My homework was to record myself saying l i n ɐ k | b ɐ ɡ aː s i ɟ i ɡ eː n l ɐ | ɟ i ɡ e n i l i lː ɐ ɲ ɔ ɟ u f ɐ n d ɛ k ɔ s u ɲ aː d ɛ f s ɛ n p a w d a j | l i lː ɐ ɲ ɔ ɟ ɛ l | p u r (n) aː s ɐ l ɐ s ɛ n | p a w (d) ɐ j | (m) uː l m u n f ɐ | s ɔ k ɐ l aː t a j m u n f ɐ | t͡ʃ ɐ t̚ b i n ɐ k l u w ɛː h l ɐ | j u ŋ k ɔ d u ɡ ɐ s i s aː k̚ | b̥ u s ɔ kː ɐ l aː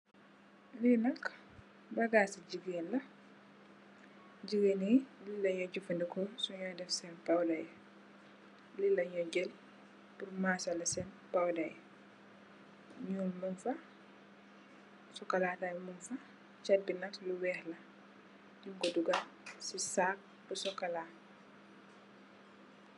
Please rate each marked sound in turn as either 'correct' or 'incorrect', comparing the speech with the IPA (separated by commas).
incorrect, correct, incorrect